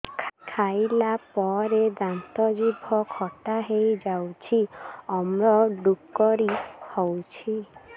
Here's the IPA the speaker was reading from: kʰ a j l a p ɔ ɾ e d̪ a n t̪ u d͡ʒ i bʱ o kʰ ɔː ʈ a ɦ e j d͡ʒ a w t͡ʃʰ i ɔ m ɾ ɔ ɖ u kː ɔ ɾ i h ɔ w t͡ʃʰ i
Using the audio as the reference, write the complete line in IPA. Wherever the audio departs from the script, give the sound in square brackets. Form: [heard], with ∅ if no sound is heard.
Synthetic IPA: kʰ a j l a p ɔ ɾ e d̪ a n t̪ [ɔ] d͡ʒ i bʱ [ɔ] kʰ [ɔ] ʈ a ɦ e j d͡ʒ a w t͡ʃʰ i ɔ m ɾ ɔ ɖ u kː ɔ ɾ i h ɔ w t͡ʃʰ i

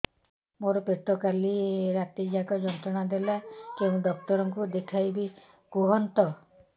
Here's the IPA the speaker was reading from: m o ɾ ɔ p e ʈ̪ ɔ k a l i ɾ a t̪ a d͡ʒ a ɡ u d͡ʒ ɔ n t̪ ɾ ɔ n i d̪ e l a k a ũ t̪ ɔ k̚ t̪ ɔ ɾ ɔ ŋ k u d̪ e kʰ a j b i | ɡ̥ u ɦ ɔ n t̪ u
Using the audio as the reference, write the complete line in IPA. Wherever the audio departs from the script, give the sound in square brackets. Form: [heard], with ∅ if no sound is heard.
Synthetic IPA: m o ɾ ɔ p e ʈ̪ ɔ k a l i ɾ a t̪ [i] d͡ʒ a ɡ [ɔ] d͡ʒ ɔ n t̪ ɾ ɔ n [a] d̪ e l a k [e] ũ [d̪] ɔ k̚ t̪ ɔ ɾ ɔ ŋ k u d̪ e kʰ a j b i | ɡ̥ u ɦ ɔ n t̪ [ɔ]

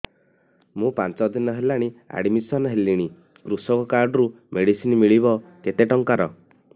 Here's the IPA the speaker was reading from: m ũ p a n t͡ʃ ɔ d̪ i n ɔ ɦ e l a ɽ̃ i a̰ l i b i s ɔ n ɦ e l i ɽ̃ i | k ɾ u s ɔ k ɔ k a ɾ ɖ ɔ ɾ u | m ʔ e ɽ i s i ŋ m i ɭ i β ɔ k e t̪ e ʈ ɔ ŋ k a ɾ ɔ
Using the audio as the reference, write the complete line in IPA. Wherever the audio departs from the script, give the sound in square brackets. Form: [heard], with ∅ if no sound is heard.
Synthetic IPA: m ũ p a n t͡ʃ ɔ d̪ i n ɔ ɦ e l a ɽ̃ i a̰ [ɽ] i [m] i s ɔ n ɦ e l i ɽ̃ i | k ɾ u s ɔ k ɔ k a ɾ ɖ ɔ ɾ u | m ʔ e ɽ i s i [n] m i ɭ i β ɔ k e t̪ e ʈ ɔ ŋ k a ɾ ɔ

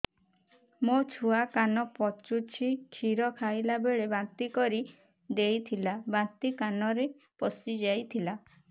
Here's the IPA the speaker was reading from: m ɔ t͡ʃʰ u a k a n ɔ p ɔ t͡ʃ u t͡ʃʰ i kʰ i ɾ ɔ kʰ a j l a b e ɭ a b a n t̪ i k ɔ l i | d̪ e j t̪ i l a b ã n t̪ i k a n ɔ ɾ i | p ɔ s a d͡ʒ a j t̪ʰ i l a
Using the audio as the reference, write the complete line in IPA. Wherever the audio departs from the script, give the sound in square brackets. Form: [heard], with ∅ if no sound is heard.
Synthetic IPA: m [o] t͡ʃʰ u a k a n ɔ p ɔ t͡ʃ u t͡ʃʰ i kʰ i ɾ ɔ kʰ a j l a b e ɭ [e] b a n t̪ i k ɔ [ɾ] i | d̪ e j [t̪ʰ] i l a b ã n t̪ i k a n ɔ ɾ [e] | p ɔ s [i] d͡ʒ a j t̪ʰ i l a

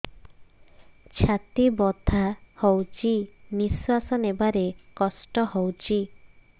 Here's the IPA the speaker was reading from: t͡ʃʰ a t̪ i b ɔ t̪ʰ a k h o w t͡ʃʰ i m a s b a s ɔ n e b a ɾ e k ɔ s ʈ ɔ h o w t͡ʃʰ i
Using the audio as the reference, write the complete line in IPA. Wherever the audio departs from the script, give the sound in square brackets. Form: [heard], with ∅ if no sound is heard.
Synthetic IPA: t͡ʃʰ a t̪ i b ɔ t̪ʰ a [∅] h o w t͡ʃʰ i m [i] s [w] a s ɔ n e b a ɾ e k ɔ s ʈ ɔ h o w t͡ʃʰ i

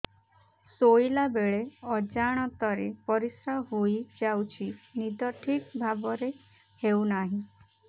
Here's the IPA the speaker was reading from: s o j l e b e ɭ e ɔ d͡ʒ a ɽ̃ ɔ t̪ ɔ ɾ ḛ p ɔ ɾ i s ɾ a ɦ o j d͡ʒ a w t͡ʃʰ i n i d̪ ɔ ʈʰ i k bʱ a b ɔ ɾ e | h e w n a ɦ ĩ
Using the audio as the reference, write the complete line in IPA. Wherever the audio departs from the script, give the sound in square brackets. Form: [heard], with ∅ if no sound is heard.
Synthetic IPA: s o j l [a] b e ɭ e ɔ d͡ʒ a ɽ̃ ɔ t̪ ɔ ɾ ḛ p ɔ ɾ i s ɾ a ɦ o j d͡ʒ a w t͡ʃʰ i n i d̪ ɔ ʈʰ i k bʱ a b ɔ ɾ e | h e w n a ɦ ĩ

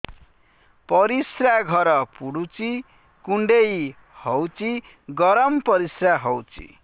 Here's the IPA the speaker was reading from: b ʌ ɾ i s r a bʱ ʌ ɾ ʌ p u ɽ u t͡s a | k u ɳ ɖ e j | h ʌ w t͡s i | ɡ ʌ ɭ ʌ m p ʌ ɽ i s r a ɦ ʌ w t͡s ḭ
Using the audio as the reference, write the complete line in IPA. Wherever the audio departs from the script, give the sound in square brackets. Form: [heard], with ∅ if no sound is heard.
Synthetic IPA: [p] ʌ ɾ i s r a [ɡʱ] ʌ ɾ ʌ p u ɽ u t͡s [i] | k u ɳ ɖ e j | h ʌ w t͡s i | ɡ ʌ [ɾ] ʌ m p ʌ [ɾ] i s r a ɦ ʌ w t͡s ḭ

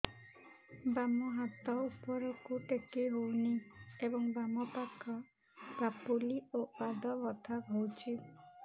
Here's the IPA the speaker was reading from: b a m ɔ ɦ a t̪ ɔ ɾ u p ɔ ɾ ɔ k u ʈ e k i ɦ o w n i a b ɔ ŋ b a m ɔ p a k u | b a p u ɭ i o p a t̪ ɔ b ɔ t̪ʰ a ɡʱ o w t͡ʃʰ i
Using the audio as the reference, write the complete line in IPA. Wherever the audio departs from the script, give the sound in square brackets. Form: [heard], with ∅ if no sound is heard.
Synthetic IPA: b a m ɔ ɦ a t̪ ɔ [∅] u p ɔ ɾ ɔ k u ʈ e k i ɦ o w n i [e] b ɔ ŋ b a m ɔ p a k [ɔ] | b a p u [l] i o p a [d̪] ɔ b ɔ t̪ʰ a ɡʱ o w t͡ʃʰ i

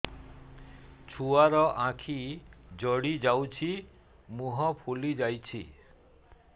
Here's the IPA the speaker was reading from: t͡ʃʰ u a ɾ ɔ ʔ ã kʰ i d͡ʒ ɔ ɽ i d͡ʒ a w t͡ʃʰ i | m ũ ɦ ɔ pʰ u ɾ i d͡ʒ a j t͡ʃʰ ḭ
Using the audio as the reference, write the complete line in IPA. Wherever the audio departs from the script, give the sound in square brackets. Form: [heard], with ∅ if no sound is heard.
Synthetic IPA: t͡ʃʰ u a ɾ ɔ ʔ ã kʰ i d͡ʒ ɔ ɽ i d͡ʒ a w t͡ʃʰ i | m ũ ɦ ɔ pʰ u [l] i d͡ʒ a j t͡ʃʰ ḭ

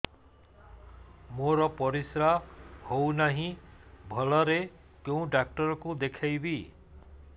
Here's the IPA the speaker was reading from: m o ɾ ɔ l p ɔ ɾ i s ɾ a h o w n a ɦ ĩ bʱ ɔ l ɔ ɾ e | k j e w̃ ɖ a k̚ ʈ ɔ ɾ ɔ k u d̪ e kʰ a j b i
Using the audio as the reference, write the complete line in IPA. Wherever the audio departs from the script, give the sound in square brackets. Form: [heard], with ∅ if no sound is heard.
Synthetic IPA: m o ɾ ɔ [∅] p ɔ ɾ i s ɾ a h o w n a ɦ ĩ bʱ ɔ l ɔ ɾ e | k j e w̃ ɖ a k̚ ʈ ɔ ɾ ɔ k u d̪ e kʰ a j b i

